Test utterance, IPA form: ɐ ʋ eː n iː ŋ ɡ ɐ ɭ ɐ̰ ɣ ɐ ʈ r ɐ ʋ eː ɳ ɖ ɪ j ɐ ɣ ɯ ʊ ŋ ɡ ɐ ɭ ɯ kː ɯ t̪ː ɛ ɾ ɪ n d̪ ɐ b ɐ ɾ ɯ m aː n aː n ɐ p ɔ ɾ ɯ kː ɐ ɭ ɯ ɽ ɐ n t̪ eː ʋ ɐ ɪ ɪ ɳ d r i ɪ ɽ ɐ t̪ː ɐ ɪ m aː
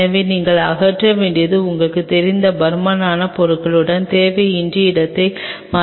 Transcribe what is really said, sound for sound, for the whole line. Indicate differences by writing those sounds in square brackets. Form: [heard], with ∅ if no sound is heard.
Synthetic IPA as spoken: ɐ ʋ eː n iː ŋ ɡ ɐ ɭ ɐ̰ ɣ ɐ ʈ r ɐ ʋ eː ɳ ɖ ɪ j ɐ [ð] ɯ ʊ ŋ ɡ ɐ ɭ ɯ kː ɯ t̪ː ɛ ɾ ɪ n d̪ ɐ b ɐ ɾ ɯ m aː n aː n ɐ p ɔ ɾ ɯ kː ɐ ɭ ɯ ɽ ɐ n t̪ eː ʋ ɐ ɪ ɪ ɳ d r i ɪ ɽ ɐ t̪ː ɐ ɪ m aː